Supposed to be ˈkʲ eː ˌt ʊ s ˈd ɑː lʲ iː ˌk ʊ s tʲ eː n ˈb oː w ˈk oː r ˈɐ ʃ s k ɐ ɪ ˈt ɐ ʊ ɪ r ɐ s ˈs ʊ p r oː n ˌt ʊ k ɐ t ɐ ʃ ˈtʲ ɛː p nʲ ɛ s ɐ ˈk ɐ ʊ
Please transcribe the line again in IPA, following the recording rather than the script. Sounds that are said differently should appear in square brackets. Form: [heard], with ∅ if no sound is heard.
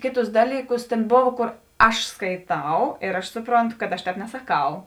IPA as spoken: ˈkʲ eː ˌt ʊ s ˈd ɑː lʲ iː ˌk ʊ s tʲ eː n ˈb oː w ˈk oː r ˈɐ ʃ s k ɐ ɪ ˈt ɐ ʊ ɪ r ɐ [ʃ] ˈs ʊ p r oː n ˌt ʊ k ɐ t ɐ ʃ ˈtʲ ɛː p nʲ ɛ s ɐ ˈk ɐ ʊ